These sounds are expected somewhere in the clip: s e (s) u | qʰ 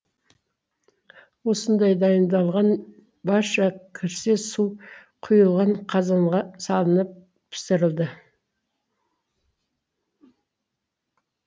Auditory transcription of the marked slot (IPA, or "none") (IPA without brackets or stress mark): s